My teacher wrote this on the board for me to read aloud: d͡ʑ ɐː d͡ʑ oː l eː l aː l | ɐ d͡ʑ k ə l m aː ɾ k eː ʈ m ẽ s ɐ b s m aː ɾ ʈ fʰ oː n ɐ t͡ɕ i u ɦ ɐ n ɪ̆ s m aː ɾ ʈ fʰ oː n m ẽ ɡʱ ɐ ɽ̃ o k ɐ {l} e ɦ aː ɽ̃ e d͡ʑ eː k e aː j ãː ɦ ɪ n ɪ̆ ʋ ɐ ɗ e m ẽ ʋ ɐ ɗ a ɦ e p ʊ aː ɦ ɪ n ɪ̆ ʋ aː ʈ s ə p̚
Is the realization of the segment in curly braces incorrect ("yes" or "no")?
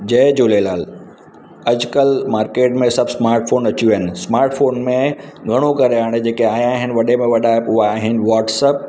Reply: yes